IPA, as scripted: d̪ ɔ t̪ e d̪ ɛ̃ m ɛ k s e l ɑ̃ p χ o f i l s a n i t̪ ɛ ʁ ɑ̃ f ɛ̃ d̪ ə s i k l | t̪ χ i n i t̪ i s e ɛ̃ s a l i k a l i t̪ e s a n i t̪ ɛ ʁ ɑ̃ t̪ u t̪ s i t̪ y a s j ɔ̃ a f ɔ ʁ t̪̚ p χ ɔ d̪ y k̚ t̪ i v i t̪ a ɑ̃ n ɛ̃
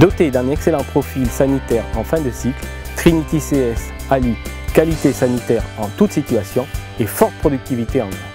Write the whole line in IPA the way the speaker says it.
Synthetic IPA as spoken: d̪ ɔ t̪ e d̪ ɛ̃ n ɛ k s e l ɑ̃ p χ ɔ f i l s a n i t̪ ɛ ʁ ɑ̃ f ɛ̃ d̪ ə s i k l | t̪ χ i n i t̪ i s e ɛ s a l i k a l i t̪ e s a n i t̪ ɛ ʁ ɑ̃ t̪ u t̪ s i t̪ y a s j ɔ̃ e f ɔ ʁ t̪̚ p χ ɔ d̪ y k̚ t̪ i v i t̪ e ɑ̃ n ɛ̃

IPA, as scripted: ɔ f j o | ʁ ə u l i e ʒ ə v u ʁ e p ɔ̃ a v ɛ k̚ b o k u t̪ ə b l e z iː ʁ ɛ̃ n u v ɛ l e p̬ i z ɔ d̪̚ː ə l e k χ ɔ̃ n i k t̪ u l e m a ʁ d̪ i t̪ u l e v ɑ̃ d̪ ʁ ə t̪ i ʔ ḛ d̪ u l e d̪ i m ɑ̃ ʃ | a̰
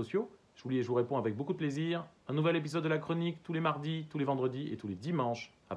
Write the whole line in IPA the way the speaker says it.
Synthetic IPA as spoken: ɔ s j o | ʒ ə u l i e ʒ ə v u ʁ e p ɔ̃ a v ɛ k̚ b o k u d̪ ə p l e z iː ʁ ɛ̃ n u v ɛ l e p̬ i z ɔ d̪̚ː ə l a k χ ɔ n i k t̪ u l e m a ʁ d̪ i t̪ u l e v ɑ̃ d̪ ʁ ə d̪ i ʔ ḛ t̪ u l e d̪ i m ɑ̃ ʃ | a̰

